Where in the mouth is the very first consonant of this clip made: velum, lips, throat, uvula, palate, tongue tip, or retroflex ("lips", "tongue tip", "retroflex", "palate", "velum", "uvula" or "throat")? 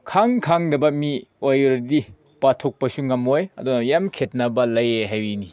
velum